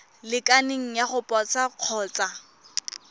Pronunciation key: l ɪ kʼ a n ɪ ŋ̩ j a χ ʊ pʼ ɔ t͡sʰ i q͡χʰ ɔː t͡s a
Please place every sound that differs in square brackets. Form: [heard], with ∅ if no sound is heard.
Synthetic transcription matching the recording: l ɪ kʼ a n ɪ ŋ̩ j a χ ʊ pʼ ɔ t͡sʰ [a] q͡χʰ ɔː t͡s a